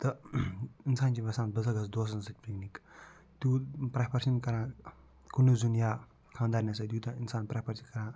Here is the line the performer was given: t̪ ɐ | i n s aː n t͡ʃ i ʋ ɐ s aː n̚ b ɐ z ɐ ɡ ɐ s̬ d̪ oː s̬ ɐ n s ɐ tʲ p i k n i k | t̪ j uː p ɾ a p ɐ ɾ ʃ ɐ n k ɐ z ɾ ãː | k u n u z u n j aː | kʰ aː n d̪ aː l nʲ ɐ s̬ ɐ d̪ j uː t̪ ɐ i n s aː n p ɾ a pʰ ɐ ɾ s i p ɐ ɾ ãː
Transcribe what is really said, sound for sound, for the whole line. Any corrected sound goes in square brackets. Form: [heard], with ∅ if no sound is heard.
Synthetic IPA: t̪ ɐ | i n s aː n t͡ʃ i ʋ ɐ s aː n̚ b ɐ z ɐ ɡ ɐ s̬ d̪ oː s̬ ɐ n s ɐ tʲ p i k n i k | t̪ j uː p ɾ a p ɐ ɾ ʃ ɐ n k ɐ [∅] ɾ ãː | k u n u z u n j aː | kʰ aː n d̪ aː [ɾ] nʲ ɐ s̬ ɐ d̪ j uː t̪ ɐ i n s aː n p ɾ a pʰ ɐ ɾ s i [k] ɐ ɾ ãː

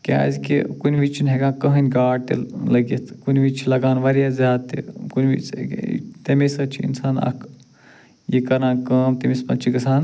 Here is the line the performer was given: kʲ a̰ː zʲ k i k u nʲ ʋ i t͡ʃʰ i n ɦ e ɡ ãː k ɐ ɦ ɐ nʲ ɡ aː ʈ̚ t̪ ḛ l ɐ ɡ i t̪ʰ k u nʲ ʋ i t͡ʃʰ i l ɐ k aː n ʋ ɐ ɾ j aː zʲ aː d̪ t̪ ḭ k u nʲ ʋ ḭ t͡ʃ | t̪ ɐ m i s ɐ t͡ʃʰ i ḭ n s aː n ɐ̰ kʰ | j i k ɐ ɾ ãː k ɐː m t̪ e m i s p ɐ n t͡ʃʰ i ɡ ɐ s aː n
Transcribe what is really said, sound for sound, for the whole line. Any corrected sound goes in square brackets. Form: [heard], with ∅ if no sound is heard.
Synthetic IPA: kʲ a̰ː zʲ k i k u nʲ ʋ i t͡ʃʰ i n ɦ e ɡ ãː k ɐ ɦ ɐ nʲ ɡ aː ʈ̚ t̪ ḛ l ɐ ɡ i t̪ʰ k u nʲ ʋ i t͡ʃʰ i l ɐ [ɡ] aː n ʋ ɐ ɾ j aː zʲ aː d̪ t̪ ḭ k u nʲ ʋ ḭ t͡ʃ | t̪ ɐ m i s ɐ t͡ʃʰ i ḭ n s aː n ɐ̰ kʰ | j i k ɐ ɾ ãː k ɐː m t̪ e m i s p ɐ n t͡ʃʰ i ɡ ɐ s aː n

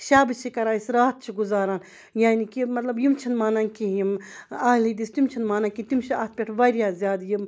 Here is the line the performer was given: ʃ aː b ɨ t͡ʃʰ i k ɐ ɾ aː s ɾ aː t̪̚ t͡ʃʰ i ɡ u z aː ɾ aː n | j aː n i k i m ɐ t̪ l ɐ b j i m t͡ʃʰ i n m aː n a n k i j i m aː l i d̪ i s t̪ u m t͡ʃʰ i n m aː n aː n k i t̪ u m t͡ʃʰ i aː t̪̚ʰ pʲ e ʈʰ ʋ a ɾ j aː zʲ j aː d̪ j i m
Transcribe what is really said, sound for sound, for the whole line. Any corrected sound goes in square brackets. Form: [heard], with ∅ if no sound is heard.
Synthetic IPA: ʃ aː b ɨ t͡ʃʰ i k ɐ ɾ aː s ɾ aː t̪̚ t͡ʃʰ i ɡ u z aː ɾ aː n | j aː n i k i m ɐ t̪ l ɐ b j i m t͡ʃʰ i n m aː n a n k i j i m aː l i d̪ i s t̪ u m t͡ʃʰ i n m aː n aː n k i t̪ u m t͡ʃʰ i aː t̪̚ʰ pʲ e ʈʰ ʋ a ɾ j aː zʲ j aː d̪ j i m

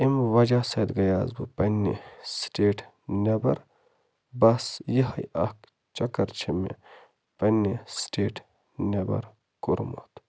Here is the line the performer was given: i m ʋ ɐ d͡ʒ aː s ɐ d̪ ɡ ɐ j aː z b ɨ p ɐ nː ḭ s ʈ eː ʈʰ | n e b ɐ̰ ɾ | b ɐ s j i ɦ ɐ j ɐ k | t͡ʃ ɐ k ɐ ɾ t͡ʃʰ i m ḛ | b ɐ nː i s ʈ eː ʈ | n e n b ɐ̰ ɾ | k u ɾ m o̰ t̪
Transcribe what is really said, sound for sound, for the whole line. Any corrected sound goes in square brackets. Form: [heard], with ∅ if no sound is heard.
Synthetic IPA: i m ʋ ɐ d͡ʒ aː s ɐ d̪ ɡ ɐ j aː z b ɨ p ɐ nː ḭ s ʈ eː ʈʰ | n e b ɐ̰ ɾ | b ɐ s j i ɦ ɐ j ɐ k | t͡ʃ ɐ k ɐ ɾ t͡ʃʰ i m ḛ | [p] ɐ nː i s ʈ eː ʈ | n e [∅] b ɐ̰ ɾ | k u ɾ m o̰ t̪

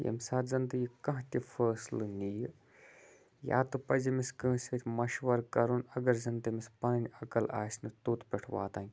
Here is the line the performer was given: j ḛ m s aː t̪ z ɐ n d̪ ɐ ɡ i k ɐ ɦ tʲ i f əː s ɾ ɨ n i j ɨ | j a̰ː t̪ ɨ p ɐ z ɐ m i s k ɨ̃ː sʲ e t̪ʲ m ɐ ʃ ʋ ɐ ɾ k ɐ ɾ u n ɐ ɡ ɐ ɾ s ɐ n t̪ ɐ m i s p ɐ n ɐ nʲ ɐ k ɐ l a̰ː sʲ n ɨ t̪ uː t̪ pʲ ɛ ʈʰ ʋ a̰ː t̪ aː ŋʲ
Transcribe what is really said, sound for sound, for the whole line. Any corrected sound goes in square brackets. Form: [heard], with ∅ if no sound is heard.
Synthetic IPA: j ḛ m s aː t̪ z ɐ n d̪ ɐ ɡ i k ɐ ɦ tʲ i f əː s [l] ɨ n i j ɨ | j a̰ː t̪ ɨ p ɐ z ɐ m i s k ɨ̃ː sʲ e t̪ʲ m ɐ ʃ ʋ ɐ ɾ k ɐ ɾ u n ɐ ɡ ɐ ɾ [z] ɐ n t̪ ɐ m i s p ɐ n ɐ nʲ ɐ k ɐ l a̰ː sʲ n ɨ t̪ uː t̪ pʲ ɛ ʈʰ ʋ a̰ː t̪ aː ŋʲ

